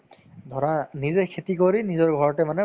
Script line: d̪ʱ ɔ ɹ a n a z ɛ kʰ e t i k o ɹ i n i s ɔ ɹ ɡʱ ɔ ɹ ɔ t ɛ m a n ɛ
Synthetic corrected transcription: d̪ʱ ɔ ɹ a n i z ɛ kʰ e t i k o ɹ i n i z ɔ ɹ ɡʱ ɔ ɹ ɔ t ɛ m a n ɛ